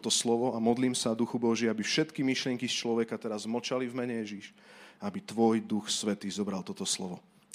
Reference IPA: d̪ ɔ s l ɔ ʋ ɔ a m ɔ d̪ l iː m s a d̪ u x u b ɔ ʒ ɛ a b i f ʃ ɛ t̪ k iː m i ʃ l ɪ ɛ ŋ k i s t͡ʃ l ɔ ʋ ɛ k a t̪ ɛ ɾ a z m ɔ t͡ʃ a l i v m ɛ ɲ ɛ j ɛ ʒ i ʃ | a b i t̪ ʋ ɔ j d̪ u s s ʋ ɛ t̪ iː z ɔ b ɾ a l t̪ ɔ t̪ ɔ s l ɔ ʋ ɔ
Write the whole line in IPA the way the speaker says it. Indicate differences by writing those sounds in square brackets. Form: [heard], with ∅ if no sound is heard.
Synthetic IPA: [t̪] ɔ s l ɔ ʋ ɔ a m ɔ d̪ l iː m s a d̪ u x u b ɔ ʒ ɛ a b i f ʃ ɛ t̪ k [i] m i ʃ l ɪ ɛ ŋ k i s t͡ʃ l ɔ ʋ ɛ k a t̪ ɛ ɾ a z m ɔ t͡ʃ a l i v m ɛ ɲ ɛ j ɛ ʒ i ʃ | a b i t̪ ʋ ɔ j d̪ u [x] s ʋ ɛ t̪ iː z ɔ b ɾ a l t̪ ɔ t̪ ɔ s l ɔ ʋ ɔ